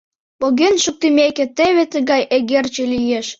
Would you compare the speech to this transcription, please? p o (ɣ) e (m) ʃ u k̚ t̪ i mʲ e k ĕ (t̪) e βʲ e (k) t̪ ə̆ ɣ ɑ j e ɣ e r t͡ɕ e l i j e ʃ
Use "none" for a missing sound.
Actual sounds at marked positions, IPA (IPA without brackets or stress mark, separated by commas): ɣ, n, t̪, none